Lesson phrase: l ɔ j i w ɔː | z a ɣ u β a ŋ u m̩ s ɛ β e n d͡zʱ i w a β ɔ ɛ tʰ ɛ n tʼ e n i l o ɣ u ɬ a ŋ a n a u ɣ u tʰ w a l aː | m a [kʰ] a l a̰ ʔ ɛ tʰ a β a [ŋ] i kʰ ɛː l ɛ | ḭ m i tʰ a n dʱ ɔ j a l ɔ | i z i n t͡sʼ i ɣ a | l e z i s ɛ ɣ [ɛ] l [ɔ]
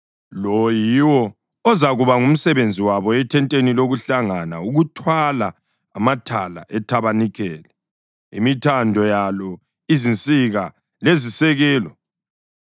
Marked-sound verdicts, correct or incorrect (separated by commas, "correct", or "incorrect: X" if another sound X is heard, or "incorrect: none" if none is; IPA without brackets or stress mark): incorrect: tʰ, incorrect: n, incorrect: ɛː, correct